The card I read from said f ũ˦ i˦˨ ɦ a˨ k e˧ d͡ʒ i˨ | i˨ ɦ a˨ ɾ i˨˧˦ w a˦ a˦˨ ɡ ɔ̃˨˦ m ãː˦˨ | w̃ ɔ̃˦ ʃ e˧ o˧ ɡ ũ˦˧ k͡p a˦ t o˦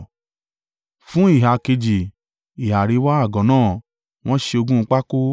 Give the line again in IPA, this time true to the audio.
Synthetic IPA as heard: f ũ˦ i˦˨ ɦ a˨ k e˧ d͡ʒ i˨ | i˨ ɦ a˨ ɾ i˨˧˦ w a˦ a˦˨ ɡ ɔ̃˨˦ n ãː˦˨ | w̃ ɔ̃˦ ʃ e˧ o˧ ɡ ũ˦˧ k͡p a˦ k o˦

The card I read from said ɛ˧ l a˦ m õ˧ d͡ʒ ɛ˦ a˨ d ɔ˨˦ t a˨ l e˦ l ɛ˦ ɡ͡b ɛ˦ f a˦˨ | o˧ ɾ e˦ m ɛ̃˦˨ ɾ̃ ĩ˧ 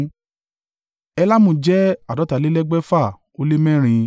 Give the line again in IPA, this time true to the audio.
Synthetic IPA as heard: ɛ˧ l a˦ m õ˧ d͡ʒ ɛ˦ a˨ d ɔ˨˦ t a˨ l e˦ l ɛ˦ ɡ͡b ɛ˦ f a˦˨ | o˧ l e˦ m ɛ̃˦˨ ɾ̃ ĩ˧

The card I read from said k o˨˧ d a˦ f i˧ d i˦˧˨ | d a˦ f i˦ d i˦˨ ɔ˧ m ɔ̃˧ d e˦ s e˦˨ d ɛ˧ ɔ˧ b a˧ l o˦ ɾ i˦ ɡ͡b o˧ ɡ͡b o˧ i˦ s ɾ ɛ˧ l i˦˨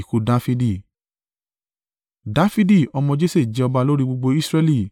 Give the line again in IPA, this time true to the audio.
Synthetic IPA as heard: k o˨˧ d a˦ f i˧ d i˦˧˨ | d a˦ f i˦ d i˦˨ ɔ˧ m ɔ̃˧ d͡ʒ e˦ s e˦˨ d͡ʒ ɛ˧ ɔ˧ b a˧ l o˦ ɾ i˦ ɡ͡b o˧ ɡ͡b o˧ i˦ s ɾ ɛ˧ l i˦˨

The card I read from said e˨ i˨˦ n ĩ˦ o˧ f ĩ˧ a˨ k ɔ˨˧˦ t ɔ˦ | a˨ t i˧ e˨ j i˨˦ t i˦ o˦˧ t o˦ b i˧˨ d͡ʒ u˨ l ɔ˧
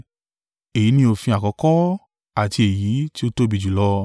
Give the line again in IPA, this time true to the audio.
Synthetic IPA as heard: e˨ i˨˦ n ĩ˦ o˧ f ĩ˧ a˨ k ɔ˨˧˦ k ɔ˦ | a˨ t i˧ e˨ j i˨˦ t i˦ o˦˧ t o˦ b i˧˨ d͡ʒ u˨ l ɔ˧

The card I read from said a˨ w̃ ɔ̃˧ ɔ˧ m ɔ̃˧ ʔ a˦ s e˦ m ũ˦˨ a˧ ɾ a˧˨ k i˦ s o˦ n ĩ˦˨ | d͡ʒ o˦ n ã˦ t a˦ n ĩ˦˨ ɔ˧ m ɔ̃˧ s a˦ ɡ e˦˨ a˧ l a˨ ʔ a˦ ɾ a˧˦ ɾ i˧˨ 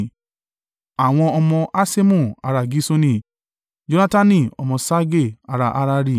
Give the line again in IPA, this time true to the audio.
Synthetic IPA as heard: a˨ w̃ ɔ̃˧ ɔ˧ m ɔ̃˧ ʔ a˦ s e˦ m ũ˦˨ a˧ ɾ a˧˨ ɡ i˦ s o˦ n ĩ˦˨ | d͡ʒ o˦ n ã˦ t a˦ n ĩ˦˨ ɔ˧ m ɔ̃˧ s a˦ ɡ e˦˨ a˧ ɾ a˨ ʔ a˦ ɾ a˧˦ ɾ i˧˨

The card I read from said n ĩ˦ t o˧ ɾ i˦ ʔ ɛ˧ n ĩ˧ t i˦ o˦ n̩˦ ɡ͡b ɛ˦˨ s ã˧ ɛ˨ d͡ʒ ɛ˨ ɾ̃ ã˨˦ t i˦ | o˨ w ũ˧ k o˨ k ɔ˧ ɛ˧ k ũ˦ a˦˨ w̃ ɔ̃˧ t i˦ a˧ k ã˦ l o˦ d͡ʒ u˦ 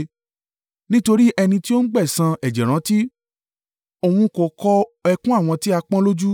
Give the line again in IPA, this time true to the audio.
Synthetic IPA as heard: n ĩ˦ t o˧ ɾ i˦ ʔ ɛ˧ n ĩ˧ t i˦ o˦ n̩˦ ɡ͡b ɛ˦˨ s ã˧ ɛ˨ d͡ʒ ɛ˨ ɾ̃ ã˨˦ t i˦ | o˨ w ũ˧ k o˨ k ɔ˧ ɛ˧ k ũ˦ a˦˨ w̃ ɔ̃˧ t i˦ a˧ k͡p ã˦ l o˦ d͡ʒ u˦

